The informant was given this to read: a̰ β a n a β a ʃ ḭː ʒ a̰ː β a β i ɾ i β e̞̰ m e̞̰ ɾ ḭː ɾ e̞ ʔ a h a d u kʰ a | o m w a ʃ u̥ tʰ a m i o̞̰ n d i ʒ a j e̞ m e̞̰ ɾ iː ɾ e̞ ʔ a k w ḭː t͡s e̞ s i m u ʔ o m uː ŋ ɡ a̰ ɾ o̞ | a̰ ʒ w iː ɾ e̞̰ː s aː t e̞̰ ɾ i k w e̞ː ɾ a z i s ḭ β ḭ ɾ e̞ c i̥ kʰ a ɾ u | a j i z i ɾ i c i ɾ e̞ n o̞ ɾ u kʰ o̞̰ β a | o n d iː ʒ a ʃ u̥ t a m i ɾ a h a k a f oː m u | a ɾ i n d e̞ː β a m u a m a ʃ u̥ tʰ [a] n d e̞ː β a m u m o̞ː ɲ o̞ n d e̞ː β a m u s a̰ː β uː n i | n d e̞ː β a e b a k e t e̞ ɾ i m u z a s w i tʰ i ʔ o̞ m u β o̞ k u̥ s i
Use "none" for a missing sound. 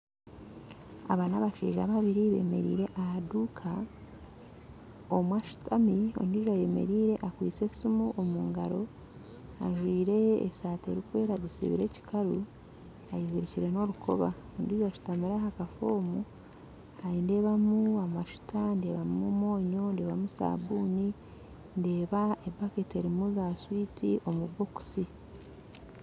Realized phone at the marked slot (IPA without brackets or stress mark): a